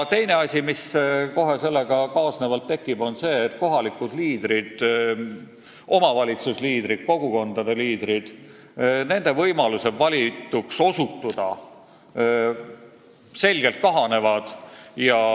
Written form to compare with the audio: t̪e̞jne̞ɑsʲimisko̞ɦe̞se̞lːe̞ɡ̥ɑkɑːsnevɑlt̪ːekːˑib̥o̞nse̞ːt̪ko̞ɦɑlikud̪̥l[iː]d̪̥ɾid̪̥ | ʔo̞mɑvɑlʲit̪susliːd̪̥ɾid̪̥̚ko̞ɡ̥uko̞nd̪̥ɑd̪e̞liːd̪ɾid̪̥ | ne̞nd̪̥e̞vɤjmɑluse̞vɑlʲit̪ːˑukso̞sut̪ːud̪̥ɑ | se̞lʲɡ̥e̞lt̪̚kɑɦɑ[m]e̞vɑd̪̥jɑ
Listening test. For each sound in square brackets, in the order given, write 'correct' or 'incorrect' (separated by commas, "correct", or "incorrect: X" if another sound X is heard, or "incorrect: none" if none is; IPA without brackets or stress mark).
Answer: correct, incorrect: n